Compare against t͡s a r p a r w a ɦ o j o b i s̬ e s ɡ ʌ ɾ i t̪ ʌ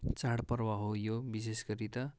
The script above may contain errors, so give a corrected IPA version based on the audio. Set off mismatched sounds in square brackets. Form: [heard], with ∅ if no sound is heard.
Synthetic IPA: t͡s a [ɽ] p [ʌ] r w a ɦ o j o b i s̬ e s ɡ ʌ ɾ i t̪ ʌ